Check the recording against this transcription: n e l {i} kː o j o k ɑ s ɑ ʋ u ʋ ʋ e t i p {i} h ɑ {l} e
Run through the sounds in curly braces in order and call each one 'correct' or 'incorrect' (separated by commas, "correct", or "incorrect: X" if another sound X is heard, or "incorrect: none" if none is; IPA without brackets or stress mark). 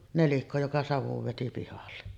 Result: correct, correct, incorrect: lː